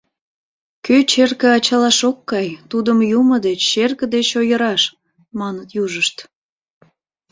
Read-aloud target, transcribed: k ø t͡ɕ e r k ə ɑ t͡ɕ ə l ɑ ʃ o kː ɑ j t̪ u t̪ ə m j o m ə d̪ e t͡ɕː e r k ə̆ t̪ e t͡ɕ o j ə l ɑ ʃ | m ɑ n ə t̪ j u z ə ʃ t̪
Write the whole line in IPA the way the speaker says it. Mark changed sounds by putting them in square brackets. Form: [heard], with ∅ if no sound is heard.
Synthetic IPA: k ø t͡ɕ e r k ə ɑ t͡ɕ [ɑ] l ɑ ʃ o kː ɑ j t̪ u [d̪] ə m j [u] m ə d̪ e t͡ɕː e r k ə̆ [d̪] e t͡ɕ o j ə [ɾ] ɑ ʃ | m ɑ n ə t̪ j u [ʒ] ə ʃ t̪